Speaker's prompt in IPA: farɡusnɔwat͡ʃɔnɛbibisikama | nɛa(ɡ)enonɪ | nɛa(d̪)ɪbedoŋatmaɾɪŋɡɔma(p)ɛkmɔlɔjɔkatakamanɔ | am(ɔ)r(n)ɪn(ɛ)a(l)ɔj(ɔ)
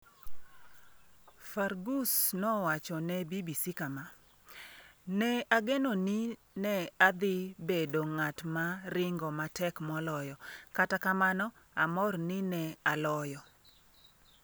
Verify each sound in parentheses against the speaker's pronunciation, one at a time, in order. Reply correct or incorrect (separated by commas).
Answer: correct, correct, incorrect, correct, correct, correct, correct, correct